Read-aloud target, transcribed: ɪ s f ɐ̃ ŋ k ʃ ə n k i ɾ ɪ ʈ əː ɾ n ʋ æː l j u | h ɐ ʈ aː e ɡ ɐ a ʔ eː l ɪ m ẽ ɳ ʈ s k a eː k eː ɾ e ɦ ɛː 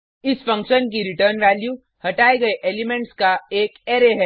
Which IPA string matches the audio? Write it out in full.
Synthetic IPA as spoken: ɪ s f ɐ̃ ŋ k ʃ ə n k i ɾ ɪ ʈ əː ɾ n ʋ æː l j u | h ɐ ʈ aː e ɡ ɐ e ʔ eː l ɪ m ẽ ɳ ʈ s k a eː k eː ɾ e ɦ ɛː